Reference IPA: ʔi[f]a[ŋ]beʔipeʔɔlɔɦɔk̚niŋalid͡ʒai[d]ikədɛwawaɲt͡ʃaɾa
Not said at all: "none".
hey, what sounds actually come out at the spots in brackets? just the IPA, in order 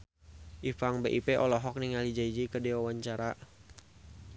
f, ŋ, d͡ʒ

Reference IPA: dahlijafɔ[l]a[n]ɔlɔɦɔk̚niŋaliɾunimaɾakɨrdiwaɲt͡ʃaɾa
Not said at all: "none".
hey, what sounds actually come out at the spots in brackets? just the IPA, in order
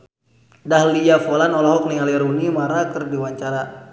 l, n

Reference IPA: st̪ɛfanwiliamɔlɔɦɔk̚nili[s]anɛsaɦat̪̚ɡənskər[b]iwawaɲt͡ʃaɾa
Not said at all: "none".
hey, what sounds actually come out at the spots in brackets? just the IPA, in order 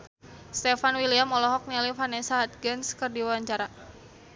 f, d

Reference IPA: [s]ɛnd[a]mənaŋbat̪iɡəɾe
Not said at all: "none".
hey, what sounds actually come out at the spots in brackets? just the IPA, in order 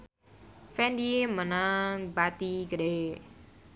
f, i

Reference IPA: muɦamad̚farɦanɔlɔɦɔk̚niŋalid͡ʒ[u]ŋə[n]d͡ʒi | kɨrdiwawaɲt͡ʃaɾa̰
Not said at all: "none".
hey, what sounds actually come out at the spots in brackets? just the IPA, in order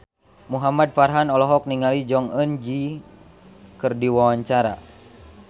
ɔ, n

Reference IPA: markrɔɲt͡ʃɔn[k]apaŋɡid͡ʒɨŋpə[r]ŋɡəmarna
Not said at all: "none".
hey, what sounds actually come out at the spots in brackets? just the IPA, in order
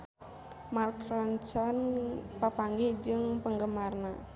p, none

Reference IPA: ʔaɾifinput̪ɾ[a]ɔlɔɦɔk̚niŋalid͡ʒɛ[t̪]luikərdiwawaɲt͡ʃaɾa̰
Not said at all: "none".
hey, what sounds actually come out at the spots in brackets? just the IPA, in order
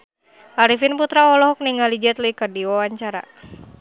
a, t̪

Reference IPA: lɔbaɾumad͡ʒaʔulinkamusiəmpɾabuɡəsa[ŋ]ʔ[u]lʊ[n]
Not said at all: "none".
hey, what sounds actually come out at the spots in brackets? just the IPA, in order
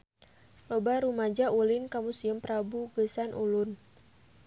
n, u, n

